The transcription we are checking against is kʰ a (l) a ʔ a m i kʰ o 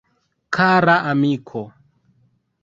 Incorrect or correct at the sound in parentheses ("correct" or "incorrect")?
incorrect